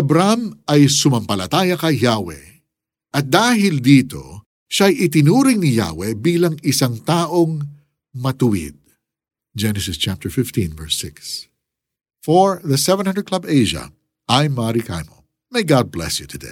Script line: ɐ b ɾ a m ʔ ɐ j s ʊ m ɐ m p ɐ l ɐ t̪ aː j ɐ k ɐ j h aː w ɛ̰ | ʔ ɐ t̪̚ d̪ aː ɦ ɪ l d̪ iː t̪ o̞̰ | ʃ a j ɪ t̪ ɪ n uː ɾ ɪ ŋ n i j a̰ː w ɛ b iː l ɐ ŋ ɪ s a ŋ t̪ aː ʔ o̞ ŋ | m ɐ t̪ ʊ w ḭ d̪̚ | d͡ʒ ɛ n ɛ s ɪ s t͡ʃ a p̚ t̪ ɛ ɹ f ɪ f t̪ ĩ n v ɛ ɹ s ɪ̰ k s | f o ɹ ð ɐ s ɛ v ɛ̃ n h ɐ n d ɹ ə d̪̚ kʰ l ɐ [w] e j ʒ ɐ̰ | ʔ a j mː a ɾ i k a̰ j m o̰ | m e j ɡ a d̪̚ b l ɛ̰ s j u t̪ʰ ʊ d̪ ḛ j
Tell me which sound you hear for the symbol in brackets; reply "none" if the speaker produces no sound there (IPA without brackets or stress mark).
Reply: b